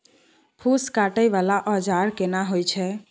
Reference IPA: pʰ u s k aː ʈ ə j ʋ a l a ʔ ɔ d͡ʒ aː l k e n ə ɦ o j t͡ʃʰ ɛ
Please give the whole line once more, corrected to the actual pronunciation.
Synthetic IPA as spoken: pʰ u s k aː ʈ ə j ʋ a l a ʔ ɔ d͡ʒ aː ɾ k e n a ɦ o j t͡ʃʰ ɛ